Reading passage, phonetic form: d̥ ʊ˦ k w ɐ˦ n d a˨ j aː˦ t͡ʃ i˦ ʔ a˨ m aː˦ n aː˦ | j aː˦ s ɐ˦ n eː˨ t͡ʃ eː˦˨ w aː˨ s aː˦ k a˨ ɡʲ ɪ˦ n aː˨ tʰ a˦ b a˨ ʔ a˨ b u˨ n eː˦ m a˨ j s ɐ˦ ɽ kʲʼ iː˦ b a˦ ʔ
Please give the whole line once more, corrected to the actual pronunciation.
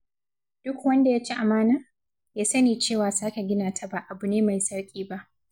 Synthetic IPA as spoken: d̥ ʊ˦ k w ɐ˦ n d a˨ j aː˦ t͡ʃ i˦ ʔ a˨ m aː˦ n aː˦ | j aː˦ s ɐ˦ n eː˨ t͡ʃ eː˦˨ w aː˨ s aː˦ k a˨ ɡʲ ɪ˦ n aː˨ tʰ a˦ b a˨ ʔ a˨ b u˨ n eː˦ m a˨ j s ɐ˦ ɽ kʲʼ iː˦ b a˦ ʔ

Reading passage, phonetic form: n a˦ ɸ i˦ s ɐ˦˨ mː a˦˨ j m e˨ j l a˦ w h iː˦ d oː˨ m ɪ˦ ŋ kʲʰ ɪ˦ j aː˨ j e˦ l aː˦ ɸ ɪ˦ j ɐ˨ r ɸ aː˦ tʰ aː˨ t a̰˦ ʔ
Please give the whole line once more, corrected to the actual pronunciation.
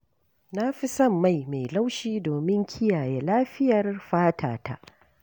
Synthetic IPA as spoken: n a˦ ɸ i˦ s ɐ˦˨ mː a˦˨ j m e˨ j l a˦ w ʃ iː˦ d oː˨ m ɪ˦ ŋ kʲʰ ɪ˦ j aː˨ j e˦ l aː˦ ɸ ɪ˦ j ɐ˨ r ɸ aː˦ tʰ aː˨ t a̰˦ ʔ

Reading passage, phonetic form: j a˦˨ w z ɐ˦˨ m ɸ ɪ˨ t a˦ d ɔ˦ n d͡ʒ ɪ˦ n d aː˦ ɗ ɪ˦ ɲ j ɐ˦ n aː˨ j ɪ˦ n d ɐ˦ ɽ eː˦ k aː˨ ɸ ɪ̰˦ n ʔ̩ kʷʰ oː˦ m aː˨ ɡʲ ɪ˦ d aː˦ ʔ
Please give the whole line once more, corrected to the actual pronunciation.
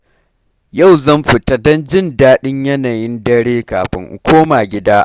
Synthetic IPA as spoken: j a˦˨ w z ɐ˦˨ m ɸ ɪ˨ t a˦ d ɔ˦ n d͡ʒ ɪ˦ n d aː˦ ɗ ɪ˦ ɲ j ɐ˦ n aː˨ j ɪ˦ n d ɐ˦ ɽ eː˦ k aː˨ ɸ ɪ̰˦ ŋ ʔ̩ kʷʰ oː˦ m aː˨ ɡʲ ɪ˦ d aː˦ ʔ

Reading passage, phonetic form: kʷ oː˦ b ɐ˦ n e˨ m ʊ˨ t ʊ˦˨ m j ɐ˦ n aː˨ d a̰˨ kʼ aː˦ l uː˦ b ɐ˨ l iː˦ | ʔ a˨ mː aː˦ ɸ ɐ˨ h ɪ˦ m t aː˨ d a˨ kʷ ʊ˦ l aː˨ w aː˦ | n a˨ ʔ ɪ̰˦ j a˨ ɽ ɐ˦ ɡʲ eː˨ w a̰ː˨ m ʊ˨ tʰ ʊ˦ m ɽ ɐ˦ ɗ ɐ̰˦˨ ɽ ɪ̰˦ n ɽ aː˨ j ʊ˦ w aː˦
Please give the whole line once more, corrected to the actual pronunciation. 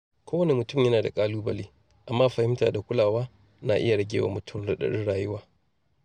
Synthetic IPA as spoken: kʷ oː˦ w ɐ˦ n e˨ m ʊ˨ t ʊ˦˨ m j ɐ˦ n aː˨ d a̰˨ kʼ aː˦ l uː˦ b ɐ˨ l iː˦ | ʔ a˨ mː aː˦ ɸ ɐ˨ h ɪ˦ m t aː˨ d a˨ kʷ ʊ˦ l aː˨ w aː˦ | n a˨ ʔ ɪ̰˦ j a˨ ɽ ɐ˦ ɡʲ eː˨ w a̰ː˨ m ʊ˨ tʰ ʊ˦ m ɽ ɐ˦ ɗ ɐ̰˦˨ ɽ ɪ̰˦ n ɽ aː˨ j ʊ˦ w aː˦

